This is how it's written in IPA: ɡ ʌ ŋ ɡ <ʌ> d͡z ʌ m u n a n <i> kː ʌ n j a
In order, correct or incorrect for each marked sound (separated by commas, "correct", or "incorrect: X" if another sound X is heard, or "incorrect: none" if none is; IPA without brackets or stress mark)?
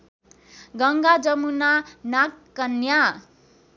incorrect: a, incorrect: a